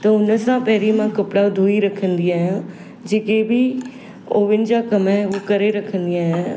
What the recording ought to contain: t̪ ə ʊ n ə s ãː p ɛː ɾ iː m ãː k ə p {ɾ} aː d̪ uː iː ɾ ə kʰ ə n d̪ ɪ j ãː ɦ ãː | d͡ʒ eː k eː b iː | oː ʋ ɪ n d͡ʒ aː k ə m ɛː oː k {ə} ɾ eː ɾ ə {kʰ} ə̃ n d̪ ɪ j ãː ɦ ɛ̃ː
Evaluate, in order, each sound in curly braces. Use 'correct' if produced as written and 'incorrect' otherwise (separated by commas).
incorrect, correct, correct